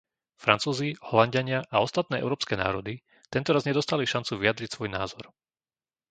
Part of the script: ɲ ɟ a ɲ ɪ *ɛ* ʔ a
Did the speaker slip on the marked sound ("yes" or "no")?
yes